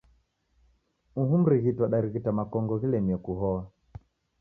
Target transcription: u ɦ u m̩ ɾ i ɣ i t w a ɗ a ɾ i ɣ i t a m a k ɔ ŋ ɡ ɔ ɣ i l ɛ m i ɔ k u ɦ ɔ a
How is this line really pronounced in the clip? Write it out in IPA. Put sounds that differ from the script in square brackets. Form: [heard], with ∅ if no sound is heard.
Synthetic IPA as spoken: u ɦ u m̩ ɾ i ɣ i t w a ɗ a ɾ i ɣ i t a m a k ɔ ŋ ɡ ɔ ɣ i l ɛ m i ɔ k u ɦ ɔ a